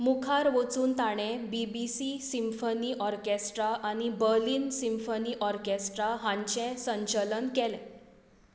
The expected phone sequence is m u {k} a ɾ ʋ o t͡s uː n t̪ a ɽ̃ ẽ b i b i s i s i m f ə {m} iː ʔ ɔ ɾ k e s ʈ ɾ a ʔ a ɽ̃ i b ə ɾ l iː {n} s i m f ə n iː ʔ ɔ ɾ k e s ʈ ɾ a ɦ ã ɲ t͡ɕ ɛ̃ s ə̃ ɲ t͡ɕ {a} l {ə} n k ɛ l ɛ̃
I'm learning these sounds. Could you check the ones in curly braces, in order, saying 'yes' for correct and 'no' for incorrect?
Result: no, no, yes, no, yes

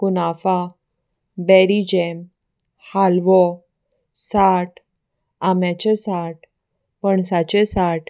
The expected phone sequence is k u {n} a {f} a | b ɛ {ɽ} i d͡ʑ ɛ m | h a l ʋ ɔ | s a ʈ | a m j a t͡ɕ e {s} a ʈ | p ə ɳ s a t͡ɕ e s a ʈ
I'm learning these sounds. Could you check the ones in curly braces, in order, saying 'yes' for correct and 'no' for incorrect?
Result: yes, yes, no, yes

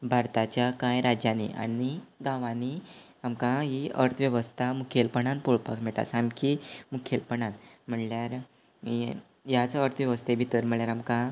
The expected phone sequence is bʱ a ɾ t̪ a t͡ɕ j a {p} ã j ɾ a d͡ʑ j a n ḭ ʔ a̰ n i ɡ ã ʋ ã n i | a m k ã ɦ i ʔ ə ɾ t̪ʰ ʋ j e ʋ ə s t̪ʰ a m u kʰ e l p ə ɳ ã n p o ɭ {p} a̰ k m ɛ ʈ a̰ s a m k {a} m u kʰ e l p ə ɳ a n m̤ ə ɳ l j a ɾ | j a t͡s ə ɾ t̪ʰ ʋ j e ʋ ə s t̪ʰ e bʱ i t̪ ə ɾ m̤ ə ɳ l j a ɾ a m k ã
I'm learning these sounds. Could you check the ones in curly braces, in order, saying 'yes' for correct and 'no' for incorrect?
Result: no, yes, no

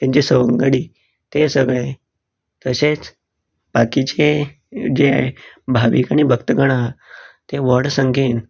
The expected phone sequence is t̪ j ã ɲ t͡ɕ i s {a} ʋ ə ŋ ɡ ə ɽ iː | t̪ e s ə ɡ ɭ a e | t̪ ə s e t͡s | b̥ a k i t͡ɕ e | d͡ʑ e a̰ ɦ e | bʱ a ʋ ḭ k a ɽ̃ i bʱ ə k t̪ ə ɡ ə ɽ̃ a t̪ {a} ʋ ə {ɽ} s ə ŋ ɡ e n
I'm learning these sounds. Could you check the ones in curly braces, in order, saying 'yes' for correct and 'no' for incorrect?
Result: no, no, yes

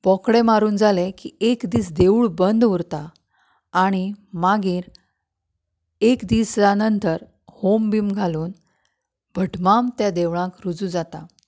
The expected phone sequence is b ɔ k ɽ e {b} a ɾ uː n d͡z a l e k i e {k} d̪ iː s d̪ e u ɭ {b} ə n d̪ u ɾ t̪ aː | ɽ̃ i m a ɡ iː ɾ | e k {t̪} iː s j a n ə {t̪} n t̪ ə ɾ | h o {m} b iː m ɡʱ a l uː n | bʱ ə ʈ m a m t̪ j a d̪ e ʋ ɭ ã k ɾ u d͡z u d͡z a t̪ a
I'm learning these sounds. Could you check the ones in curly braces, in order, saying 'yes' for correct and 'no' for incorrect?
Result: no, yes, yes, no, no, yes

